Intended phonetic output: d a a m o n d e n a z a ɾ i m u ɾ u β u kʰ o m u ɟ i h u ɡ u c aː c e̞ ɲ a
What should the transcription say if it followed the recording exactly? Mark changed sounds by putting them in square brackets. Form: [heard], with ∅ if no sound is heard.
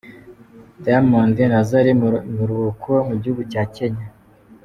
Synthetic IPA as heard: d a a m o n d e n a z a ɾ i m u ɾ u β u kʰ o m u ɟ i h u ɡ u c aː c e̞ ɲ a